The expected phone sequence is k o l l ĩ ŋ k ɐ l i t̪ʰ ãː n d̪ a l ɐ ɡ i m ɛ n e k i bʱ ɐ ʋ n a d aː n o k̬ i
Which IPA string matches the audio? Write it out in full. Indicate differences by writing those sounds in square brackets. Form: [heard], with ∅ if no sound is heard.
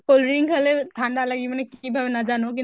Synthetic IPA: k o l [ɾ] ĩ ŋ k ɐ l [e] t̪ʰ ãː n d̪ a l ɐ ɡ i m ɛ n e k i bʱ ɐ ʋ n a [d͡ʒ] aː n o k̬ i